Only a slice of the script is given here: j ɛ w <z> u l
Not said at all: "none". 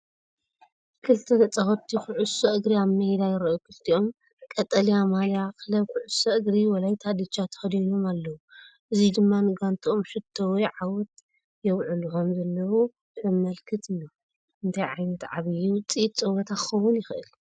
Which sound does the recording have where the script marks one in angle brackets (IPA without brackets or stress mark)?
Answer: ʕ